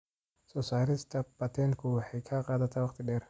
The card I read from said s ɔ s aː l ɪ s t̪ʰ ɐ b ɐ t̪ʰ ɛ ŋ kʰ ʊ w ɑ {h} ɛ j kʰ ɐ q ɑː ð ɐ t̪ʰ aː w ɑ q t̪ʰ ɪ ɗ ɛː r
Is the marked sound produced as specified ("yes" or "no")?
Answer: no